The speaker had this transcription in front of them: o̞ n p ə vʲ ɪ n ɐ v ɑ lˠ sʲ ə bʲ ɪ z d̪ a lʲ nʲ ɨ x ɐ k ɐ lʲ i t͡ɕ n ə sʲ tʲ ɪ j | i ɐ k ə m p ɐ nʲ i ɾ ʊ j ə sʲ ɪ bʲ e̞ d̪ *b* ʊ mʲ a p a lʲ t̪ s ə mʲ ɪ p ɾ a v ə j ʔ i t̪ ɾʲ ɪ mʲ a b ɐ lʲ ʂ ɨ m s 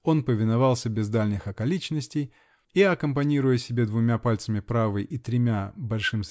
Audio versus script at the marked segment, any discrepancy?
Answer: yes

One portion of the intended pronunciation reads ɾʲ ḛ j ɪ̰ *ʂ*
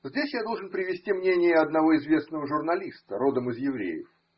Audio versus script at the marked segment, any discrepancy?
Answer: yes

